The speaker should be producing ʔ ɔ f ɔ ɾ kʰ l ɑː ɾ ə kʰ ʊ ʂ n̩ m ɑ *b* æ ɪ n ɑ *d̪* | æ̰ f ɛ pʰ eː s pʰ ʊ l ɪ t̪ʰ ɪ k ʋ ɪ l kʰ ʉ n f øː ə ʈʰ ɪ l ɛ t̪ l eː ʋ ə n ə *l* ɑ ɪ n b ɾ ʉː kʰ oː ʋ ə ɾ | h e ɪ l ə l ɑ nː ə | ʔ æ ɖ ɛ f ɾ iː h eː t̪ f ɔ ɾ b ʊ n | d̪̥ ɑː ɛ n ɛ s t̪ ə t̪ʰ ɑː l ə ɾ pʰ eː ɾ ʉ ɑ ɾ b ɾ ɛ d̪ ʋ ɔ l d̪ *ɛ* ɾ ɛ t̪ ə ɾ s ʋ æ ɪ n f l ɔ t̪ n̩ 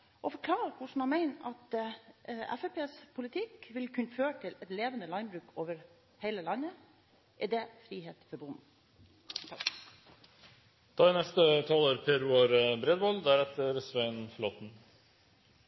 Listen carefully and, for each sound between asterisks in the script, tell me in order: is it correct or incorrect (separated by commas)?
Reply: incorrect, incorrect, correct, incorrect